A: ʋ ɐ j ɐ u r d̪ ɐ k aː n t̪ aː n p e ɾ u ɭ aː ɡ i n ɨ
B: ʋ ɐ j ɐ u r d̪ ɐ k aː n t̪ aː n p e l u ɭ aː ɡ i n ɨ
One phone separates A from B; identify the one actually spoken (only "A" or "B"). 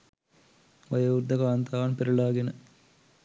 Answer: A